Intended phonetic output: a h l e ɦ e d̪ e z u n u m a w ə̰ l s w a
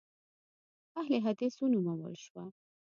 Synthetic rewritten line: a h l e ɦ a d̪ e s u n u m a w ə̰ l ʃ w a